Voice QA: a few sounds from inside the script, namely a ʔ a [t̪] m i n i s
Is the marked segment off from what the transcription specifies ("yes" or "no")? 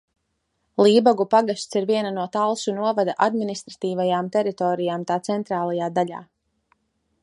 yes